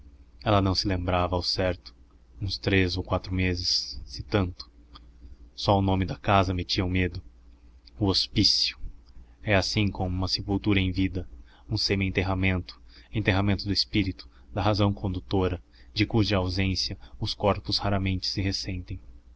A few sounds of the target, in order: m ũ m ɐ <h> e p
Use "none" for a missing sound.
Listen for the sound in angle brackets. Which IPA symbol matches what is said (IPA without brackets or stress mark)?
s